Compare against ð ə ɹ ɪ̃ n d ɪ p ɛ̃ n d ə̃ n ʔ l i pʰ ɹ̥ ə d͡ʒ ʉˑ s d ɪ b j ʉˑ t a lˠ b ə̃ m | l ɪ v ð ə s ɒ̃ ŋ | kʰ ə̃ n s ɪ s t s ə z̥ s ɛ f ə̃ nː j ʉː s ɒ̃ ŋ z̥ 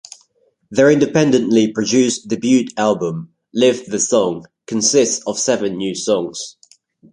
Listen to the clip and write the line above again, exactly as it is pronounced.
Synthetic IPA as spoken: ð ə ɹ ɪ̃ n d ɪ p ɛ̃ n d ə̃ n ʔ l i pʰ ɹ̥ ə d͡ʒ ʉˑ s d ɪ b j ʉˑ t a lˠ b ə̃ m | l ɪ v ð ə s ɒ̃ ŋ | kʰ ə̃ n s ɪ s t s ə v̥ s ɛ v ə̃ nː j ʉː s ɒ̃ ŋ z̥

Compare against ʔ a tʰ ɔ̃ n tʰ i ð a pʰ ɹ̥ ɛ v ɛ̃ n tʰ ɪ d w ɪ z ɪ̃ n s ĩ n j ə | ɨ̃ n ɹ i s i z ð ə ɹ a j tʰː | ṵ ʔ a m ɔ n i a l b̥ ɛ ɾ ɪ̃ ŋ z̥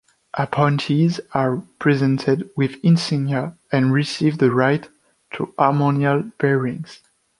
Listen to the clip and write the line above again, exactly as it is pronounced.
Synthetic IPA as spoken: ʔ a pʰ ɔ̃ n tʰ i z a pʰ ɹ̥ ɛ z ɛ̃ n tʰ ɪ d w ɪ ð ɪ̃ n s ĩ n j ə | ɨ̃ n ɹ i s i v ð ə ɹ a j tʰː | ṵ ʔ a m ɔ n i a l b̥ ɛ ɹ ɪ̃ ŋ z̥

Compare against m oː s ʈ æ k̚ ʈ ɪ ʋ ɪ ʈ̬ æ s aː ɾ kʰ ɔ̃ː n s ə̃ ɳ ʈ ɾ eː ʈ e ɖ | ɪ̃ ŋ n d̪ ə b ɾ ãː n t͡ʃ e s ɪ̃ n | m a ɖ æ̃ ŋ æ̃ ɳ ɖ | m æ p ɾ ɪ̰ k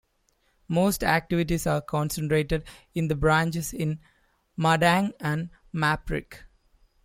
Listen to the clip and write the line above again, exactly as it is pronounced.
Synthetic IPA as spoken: m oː s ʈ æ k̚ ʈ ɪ ʋ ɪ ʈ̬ i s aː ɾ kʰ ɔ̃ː n s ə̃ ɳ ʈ ɾ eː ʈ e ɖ | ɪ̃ n d̪ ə b ɾ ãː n t͡ʃ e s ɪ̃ n | m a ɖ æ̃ ŋ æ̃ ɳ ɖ | m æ p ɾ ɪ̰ k

